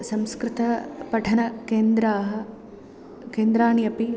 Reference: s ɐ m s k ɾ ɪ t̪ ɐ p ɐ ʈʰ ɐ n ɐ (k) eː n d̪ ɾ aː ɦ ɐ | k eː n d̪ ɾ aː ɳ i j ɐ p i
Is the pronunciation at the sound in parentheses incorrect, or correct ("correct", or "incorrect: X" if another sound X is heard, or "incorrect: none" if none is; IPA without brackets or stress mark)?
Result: correct